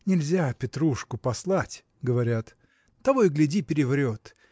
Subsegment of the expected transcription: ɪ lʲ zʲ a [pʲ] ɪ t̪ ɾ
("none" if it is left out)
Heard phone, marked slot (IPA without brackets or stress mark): pʲ